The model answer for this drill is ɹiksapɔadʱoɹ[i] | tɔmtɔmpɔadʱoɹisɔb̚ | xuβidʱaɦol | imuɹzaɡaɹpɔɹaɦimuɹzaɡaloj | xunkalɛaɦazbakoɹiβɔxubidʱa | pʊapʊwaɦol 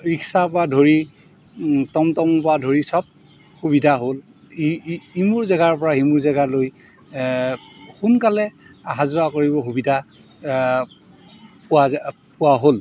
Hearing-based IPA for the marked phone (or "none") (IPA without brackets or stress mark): i